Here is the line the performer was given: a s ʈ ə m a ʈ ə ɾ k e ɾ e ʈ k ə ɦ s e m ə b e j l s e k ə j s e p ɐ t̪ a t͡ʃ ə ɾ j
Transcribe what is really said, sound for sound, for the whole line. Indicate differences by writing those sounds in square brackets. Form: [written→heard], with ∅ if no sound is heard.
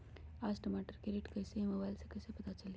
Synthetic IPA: a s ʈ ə m a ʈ ə ɾ k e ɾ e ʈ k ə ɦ s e m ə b [e→a] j l s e k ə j s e p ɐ t̪ a t͡ʃ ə [ɾ→l] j